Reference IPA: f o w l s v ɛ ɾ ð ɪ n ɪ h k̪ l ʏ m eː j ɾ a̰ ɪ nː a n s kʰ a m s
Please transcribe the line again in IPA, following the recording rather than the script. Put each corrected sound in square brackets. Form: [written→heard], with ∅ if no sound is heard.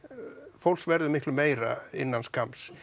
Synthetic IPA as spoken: f o w l s v ɛ ɾ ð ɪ [n→m] ɪ h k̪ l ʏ m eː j ɾ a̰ ɪ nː a n s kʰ a m s